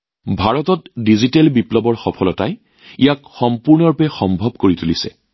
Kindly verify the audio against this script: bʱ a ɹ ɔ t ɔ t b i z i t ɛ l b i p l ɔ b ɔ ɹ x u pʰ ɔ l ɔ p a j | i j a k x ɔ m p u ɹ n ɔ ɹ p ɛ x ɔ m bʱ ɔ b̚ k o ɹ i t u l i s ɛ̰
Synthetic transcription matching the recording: bʱ a ɹ ɔ t ɔ t d i z i t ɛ l b i p l ɔ b ɔ ɹ x ɔ pʰ ɔ l ɔ t a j | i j a k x ɔ m p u ɹ n ɔ ɹ p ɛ x ɔ m bʱ ɔ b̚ k o ɹ i t u l i s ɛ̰